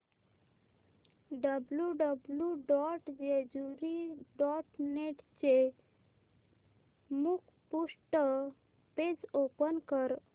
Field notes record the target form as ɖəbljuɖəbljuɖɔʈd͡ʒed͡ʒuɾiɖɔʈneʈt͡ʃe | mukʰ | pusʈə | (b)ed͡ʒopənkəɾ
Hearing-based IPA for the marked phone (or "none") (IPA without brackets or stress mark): p